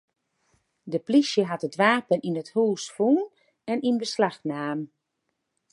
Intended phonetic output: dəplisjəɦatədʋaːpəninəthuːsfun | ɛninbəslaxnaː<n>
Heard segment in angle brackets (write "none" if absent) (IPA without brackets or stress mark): m